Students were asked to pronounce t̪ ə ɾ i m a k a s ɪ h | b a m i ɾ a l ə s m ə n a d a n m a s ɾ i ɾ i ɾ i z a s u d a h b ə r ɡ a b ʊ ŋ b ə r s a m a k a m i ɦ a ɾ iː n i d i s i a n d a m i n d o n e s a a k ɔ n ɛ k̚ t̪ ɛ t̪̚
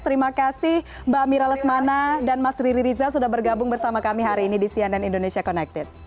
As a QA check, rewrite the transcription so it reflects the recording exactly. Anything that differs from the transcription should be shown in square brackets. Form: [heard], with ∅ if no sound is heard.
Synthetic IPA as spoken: t̪ ə ɾ i m a k a s ɪ h | b a m i ɾ a l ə s m [a] n a d a n m a s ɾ i ɾ i ɾ i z a s u d a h b ə r ɡ a b ʊ ŋ b ə r s a m a k a m i ɦ a ɾ iː n i d i s i a n d a [n] i n d o n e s [i] a k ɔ n ɛ k̚ t̪ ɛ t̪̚